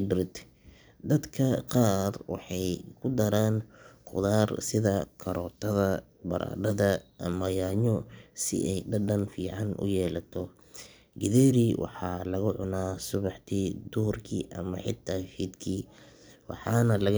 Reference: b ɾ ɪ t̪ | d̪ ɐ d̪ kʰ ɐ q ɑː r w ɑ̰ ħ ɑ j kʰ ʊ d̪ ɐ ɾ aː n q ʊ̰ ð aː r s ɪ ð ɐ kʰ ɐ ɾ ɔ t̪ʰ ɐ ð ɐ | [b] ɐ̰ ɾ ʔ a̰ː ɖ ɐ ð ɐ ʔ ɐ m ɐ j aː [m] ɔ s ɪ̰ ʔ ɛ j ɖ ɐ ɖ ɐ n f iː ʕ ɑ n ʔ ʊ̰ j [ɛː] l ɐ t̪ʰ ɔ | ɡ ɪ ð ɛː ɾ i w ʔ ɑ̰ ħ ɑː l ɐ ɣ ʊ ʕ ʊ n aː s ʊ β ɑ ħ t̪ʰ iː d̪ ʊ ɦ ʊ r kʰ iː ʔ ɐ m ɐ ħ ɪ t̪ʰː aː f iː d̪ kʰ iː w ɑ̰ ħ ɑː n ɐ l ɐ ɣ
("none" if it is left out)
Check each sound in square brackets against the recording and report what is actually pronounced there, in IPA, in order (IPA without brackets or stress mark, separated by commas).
b, ɲ, ɛː